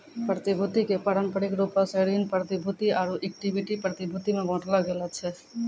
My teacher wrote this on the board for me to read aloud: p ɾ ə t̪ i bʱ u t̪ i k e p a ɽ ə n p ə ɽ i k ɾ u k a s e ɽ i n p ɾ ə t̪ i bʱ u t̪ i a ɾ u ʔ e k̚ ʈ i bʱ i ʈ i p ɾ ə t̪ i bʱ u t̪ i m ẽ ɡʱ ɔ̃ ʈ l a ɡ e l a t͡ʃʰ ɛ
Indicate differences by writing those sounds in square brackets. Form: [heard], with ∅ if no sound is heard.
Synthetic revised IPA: p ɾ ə t̪ i bʱ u t̪ i k e p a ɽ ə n p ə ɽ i k ɾ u [p] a s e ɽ i n p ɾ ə t̪ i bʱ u t̪ i a ɾ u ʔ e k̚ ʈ i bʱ i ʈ i p ɾ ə t̪ i bʱ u t̪ i m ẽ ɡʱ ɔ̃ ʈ l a ɡ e l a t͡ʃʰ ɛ